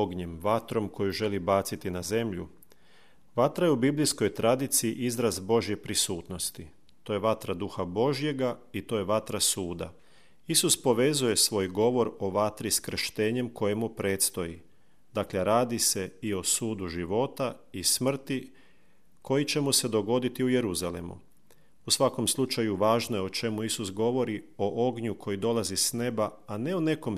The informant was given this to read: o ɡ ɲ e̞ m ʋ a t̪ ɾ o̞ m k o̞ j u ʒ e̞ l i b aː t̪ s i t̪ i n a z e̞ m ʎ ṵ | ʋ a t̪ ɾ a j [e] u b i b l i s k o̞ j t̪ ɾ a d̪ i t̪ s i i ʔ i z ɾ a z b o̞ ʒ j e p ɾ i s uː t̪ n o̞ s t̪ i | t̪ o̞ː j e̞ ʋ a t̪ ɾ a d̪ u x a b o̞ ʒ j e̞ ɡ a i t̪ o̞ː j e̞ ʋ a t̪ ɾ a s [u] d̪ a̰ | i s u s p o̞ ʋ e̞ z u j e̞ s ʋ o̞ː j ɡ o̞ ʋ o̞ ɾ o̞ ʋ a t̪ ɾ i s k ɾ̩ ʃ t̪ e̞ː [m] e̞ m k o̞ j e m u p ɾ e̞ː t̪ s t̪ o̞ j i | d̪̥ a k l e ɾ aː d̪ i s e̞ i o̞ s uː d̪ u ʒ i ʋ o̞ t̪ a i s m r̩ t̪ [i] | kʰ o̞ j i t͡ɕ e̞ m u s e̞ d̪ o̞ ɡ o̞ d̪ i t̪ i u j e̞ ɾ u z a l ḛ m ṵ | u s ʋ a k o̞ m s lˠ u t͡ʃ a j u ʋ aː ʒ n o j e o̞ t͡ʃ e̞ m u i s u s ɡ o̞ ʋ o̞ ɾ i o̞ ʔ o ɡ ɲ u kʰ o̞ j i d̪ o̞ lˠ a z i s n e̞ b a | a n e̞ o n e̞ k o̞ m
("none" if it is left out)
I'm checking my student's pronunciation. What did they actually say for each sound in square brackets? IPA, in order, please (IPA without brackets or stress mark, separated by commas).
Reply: e, uː, ɲ, i